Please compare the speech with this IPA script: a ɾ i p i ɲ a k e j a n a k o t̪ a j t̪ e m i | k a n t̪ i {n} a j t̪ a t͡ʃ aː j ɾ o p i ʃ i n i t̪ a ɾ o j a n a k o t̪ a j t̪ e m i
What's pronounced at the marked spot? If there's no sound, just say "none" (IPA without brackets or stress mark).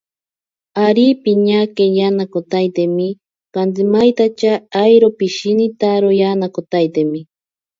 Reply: m